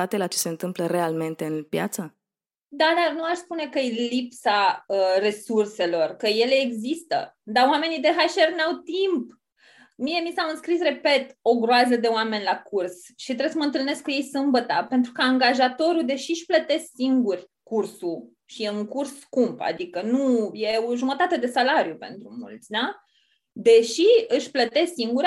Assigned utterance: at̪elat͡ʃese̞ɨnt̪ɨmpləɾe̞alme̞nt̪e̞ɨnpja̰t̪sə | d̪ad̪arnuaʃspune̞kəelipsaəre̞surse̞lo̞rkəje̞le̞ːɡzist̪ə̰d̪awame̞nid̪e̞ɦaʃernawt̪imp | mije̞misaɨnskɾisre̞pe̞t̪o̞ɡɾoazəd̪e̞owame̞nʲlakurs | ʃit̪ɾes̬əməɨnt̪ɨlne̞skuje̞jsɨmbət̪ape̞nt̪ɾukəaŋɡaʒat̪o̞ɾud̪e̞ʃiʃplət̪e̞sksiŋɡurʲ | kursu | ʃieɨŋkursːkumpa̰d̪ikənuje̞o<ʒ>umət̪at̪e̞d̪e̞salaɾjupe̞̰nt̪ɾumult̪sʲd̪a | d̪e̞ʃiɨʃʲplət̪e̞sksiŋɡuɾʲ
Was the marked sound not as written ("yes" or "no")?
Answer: no